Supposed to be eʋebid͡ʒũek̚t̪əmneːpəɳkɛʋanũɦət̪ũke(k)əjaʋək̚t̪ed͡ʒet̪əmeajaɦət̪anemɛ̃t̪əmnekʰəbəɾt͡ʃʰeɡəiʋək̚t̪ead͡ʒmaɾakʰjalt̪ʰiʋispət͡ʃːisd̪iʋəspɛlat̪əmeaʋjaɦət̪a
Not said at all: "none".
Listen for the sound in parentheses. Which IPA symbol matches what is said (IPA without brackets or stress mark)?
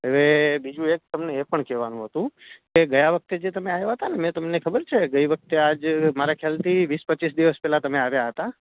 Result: ɡ